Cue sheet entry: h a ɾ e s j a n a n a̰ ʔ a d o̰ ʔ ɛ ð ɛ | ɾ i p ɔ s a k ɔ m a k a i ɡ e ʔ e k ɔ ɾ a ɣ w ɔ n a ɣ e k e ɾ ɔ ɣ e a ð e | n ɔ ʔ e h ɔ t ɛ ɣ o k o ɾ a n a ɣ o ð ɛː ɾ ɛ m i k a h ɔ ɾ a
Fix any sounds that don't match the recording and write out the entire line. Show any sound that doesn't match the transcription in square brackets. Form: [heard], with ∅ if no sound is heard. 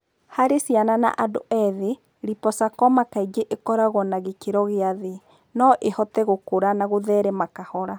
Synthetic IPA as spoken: h a ɾ e s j a n a n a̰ ʔ a d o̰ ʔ ɛ ð [e] | ɾ i p ɔ s a k ɔ m a k a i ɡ e ʔ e k ɔ ɾ a ɣ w ɔ n a ɣ e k e ɾ ɔ ɣ e a ð e | n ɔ ʔ e h ɔ t ɛ ɣ o k o ɾ a n a ɣ o ð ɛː ɾ ɛ m [a] k a h ɔ ɾ a